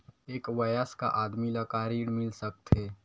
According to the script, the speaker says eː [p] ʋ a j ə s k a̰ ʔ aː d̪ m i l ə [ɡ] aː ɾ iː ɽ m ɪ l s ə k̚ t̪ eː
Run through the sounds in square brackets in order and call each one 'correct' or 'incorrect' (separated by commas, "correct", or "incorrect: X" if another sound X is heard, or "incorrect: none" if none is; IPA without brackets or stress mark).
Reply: incorrect: k, incorrect: k